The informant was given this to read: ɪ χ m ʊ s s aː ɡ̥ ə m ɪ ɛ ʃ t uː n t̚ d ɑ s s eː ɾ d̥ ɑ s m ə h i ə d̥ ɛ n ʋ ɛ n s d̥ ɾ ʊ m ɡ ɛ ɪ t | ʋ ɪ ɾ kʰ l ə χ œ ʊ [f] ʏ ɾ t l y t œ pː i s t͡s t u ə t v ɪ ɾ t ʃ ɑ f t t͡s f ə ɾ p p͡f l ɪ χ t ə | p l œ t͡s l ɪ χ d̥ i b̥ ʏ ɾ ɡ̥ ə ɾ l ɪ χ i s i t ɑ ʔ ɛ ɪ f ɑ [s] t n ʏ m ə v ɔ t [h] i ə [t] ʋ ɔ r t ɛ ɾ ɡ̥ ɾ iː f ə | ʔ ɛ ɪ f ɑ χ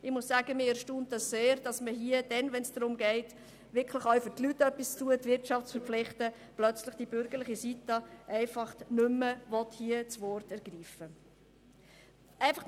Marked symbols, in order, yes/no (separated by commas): yes, no, yes, no